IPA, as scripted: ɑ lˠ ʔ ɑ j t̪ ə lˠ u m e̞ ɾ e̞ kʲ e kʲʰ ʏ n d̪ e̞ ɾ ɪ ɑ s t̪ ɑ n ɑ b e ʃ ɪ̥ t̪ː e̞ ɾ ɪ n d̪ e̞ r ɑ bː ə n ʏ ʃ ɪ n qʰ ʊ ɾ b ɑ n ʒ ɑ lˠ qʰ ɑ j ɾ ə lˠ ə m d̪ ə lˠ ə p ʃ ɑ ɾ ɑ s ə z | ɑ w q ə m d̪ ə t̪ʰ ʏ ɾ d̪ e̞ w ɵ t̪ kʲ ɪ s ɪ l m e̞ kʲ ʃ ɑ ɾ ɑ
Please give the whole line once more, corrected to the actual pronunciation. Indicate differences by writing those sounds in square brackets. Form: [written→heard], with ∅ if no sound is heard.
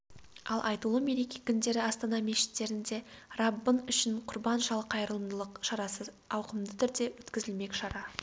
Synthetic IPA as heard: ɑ lˠ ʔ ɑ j t̪ ə lˠ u m e̞ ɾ e̞ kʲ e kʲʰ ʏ n d̪ e̞ ɾ ɪ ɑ s t̪ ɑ n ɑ [b→m] e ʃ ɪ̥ t̪ː e̞ ɾ ɪ n d̪ e̞ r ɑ bː ə n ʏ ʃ ɪ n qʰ ʊ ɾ b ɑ n ʒ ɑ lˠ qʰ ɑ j ɾ ə lˠ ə m d̪ ə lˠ ə [p→q] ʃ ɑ ɾ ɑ s ə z | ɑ w q ə m d̪ ə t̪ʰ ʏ ɾ d̪ e̞ w ɵ t̪ kʲ ɪ [s→z] ɪ l m e̞ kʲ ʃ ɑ ɾ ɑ